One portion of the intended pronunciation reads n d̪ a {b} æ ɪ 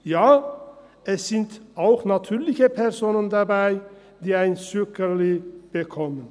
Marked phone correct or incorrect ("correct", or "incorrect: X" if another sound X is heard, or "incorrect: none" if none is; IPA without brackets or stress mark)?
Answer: correct